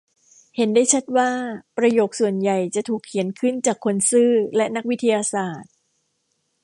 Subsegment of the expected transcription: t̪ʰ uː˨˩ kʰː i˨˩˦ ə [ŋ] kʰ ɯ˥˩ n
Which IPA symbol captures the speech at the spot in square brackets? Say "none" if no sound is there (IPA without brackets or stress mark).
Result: n